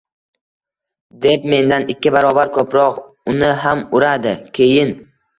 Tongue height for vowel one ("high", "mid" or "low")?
mid